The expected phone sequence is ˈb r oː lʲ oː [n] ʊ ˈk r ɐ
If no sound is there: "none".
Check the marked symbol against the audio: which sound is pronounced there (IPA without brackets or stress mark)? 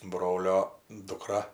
d